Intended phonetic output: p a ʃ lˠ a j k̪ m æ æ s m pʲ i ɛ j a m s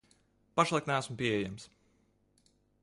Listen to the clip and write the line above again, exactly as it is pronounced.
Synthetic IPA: p a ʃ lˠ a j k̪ n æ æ s m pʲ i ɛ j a m s

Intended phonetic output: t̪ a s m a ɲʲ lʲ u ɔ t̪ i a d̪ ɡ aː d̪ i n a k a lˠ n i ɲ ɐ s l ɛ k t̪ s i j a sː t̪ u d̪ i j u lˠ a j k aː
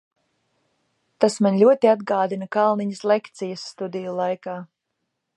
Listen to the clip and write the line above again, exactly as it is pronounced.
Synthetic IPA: t̪ a s m a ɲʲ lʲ u ɔ t̪ i a d̪ ɡ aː d̪ i n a k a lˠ n i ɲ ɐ s l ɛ k t̪ s i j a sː t̪ u d̪ i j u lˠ a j k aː

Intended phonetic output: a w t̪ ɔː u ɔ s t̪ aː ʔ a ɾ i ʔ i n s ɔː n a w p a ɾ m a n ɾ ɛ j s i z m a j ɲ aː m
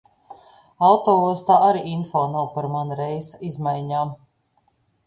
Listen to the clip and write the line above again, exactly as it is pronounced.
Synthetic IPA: a w t̪ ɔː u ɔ s t̪ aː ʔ a ɾ i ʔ i n f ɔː n a w p a ɾ m a n ɾ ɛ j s i z m a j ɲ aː m

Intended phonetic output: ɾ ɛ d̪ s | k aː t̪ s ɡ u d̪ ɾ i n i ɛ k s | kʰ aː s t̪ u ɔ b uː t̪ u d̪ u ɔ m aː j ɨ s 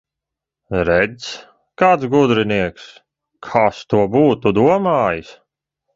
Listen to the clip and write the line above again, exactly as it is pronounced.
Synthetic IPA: ɾ ɛ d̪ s | k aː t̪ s ɡ u d̪ ɾ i n i ɛ k s | kʰ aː s t̪ u ɔ b uː t̪ u d̪ u ɔ m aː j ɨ s

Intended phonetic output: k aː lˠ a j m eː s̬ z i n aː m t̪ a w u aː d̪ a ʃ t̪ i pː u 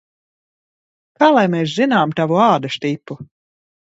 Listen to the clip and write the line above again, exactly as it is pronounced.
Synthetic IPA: k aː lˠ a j m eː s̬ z i n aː m t̪ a v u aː d̪ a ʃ t̪ i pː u

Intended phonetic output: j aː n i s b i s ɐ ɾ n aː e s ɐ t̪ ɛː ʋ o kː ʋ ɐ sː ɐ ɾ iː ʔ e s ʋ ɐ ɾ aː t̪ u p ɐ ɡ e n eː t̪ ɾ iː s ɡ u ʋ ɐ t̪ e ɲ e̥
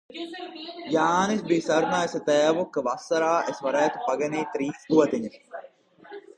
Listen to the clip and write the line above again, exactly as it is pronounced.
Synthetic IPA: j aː n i s b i s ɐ ɾ n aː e s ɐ t̪ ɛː ʋ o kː ʋ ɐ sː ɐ ɾ aː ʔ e s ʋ ɐ ɾ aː t̪ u p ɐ ɡ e n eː t̪ ɾ iː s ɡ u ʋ ɐ t̪ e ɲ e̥

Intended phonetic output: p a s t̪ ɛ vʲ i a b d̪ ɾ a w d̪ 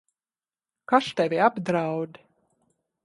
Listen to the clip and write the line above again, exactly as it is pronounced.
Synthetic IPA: k a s t̪ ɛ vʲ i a b d̪ ɾ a w d̪

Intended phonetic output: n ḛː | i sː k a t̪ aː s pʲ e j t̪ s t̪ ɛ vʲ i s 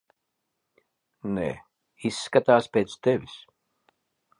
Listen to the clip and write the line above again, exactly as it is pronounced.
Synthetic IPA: n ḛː | i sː k a t̪ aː s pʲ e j t̪ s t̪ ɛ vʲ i s

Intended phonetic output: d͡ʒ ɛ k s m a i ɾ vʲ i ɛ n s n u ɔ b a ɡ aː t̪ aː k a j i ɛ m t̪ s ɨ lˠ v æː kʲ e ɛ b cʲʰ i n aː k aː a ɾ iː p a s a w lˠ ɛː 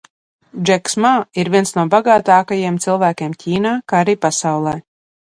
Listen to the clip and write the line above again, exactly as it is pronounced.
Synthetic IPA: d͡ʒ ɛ k s m a i ɾ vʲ i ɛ n s n u ɔ b a ɡ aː t̪ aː k a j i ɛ m t̪ s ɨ lˠ v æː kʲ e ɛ m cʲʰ iː n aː k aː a ɾ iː p a s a w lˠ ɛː

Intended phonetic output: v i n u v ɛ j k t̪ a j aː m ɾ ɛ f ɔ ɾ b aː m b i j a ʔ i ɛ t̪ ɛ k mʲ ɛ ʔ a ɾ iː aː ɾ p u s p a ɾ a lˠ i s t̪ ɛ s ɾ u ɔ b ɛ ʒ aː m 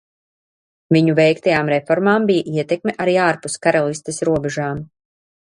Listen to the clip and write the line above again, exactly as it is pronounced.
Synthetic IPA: v i ɲ u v ɛ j k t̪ a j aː m ɾ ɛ f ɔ ɾ m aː m b i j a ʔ i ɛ t̪ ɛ k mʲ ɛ ʔ a ɾ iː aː ɾ p u s k a ɾ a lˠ i s t̪ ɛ s ɾ u ɔ b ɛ ʒ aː m

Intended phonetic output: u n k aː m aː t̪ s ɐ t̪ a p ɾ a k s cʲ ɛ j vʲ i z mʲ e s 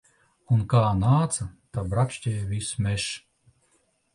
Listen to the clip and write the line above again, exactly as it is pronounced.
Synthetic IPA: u n k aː n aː t̪ s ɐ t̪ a b ɾ a k ʃ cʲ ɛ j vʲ i s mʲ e ʃ

